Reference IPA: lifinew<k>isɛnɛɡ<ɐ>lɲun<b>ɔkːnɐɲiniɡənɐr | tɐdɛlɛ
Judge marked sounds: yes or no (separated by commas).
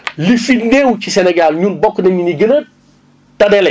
no, no, yes